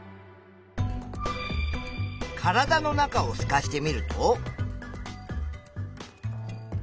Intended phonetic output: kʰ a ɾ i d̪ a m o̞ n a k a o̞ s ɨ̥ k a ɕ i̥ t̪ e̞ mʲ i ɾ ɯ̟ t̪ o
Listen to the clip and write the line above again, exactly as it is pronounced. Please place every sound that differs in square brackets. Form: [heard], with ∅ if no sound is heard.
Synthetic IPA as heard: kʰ a ɾ [a] d̪ a [n] o̞ n a k a o̞ s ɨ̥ k a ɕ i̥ t̪ e̞ mʲ i ɾ ɯ̟ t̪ o

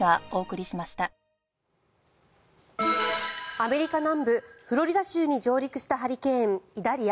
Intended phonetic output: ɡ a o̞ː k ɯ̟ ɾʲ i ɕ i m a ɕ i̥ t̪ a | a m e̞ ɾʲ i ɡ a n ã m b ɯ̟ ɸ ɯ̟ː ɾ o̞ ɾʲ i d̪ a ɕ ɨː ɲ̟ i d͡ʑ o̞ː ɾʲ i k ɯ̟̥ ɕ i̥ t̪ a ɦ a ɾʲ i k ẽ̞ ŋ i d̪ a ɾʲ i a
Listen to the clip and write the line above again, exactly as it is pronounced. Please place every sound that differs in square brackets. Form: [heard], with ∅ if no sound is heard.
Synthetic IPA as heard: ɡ a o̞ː k ɯ̟ ɾʲ i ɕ i m a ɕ i̥ t̪ a | a m e̞ ɾʲ i [k] a n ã m b ɯ̟ ɸ [ɯ̟] ɾ o̞ ɾʲ i d̪ a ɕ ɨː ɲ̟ i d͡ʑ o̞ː ɾʲ i k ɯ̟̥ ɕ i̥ t̪ a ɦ a ɾʲ i k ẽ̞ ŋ i d̪ a ɾʲ i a

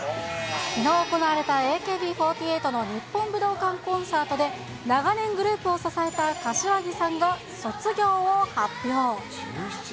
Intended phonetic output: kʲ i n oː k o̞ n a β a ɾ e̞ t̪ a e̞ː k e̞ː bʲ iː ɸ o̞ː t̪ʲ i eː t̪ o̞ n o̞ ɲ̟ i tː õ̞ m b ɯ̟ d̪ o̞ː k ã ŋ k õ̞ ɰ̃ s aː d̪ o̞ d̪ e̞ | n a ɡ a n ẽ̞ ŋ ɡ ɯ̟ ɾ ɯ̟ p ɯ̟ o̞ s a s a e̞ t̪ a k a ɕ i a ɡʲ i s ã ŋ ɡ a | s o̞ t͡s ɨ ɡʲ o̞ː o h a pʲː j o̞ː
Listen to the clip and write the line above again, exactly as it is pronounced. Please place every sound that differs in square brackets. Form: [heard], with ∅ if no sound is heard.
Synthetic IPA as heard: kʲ i n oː k o̞ n a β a ɾ e̞ t̪ a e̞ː k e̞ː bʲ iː ɸ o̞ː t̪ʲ i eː t̪ o̞ n o̞ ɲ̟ i [pː] õ̞ m b ɯ̟ d̪ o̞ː k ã ŋ k õ̞ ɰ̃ s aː [t̪] o̞ d̪ e̞ | n a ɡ a n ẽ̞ ŋ ɡ ɯ̟ ɾ [ɯ̟ː] p ɯ̟ o̞ s a s a e̞ t̪ a k a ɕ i a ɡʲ i s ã ŋ ɡ a | s o̞ t͡s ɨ ɡʲ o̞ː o h a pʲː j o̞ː

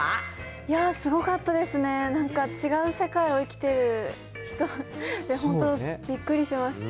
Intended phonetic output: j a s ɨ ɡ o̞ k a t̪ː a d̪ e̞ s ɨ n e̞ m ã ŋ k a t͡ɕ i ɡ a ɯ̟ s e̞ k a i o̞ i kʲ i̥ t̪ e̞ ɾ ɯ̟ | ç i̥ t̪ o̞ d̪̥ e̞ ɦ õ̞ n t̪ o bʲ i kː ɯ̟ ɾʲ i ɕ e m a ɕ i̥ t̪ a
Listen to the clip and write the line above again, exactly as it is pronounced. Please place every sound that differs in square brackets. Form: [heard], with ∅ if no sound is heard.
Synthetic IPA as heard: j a s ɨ ɡ o̞ k a t̪ː a d̪ e̞ s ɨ n e̞ [n] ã ŋ k a t͡ɕ i ɡ a ɯ̟ s e̞ k a i o̞ i kʲ i̥ t̪ e̞ ɾ ɯ̟ | ç i̥ t̪ o̞ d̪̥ e̞ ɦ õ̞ n t̪ o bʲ i kː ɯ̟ ɾʲ i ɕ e m a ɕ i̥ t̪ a

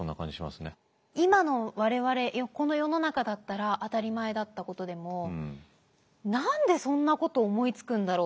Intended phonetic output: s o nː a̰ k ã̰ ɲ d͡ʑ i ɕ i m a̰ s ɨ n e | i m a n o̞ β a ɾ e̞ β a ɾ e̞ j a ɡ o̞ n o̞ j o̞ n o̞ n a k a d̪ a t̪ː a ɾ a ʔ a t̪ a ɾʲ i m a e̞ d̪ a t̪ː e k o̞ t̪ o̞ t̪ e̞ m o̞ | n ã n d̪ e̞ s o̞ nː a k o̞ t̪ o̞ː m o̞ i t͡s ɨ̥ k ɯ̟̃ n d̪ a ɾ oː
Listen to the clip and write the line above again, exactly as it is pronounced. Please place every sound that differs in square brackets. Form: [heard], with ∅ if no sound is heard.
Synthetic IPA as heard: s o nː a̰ k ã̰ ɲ d͡ʑ i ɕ i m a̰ s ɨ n e | i m a n o̞ β a ɾ e̞ β a ɾ e̞ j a [k] o̞ n o̞ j o̞ n o̞ n a k a d̪ a t̪ː a ɾ a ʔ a t̪ a ɾʲ i m a e̞ d̪ a t̪ː [a] k o̞ t̪ o̞ [d̪] e̞ m o̞ | n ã n d̪ e̞ s [õ̞] nː a k o̞ t̪ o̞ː m o̞ i t͡s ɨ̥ k ɯ̟̃ n d̪ a ɾ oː

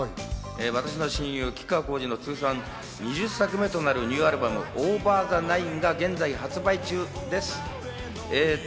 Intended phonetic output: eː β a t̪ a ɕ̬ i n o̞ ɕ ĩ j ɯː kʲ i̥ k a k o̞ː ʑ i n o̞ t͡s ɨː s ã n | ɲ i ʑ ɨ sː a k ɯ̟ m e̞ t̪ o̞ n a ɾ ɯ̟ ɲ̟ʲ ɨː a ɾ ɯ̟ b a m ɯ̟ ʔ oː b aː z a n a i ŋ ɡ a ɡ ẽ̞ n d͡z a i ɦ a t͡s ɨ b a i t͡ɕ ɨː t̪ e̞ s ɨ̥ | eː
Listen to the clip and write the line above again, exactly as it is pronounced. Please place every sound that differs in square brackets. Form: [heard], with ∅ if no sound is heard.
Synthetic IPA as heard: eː β a t̪ a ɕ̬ i n o̞ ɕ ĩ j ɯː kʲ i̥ k a k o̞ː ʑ i n o̞ t͡s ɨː s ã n | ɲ i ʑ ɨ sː a k ɯ̟ m e̞ t̪ o̞ n a ɾ ɯ̟ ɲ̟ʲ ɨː a ɾ ɯ̟ b a m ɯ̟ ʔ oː b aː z a n a i ŋ ɡ a ɡ ẽ̞ n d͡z a i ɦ a t͡s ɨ b a i t͡ɕ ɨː [d̪] e̞ s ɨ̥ | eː

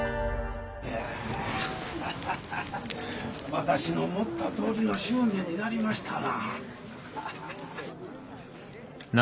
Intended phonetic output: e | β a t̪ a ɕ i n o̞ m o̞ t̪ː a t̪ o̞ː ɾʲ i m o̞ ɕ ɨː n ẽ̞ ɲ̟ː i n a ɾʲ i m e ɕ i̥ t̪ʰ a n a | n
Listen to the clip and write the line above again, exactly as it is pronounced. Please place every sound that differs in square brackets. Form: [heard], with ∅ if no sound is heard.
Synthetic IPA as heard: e | β a t̪ a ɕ i n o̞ m o̞ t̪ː a t̪ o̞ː ɾʲ i [n] o̞ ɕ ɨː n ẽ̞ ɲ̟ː i n a ɾʲ i m [a] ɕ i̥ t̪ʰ a n a | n

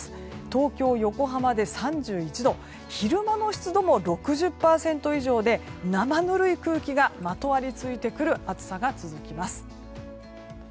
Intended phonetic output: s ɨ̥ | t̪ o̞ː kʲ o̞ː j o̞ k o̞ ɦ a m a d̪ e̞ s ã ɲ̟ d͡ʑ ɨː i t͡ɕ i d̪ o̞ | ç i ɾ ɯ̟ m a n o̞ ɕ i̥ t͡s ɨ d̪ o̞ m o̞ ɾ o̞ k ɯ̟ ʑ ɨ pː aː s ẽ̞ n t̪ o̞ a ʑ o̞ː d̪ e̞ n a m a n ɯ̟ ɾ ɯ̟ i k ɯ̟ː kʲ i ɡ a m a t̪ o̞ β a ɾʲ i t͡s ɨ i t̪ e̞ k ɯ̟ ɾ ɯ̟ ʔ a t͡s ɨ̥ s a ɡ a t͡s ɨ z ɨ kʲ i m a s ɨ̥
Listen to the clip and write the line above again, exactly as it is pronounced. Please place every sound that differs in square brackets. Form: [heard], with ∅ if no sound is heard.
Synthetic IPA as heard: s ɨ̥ | t̪ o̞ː kʲ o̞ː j o̞ k o̞ ɦ a m a d̪ e̞ s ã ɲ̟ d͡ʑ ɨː i t͡ɕ i d̪ o̞ | ç i ɾ ɯ̟ m a n o̞ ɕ i̥ t͡s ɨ d̪ o̞ m o̞ ɾ o̞ k ɯ̟ ʑ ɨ pː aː s ẽ̞ n t̪ o̞ [i] ʑ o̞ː d̪ e̞ n a m a n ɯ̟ ɾ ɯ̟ i k ɯ̟ː kʲ i ɡ a m a t̪ o̞ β a ɾʲ i t͡s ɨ i t̪ e̞ k ɯ̟ ɾ ɯ̟ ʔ a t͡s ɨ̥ s a ɡ a t͡s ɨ z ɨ kʲ i m a s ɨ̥

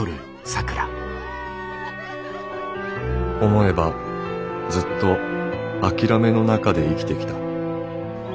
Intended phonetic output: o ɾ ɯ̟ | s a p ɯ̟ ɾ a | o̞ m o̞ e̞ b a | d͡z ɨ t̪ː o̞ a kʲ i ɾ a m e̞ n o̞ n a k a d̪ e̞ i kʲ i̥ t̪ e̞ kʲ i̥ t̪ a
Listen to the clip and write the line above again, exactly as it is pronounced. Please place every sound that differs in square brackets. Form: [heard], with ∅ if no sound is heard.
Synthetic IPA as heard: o ɾ ɯ̟ | s a [k] ɯ̟ ɾ a | o̞ m o̞ e̞ b a | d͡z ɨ t̪ː o̞ a kʲ i ɾ a m e̞ n o̞ n a k a d̪ e̞ i kʲ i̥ t̪ e̞ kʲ i̥ t̪ a

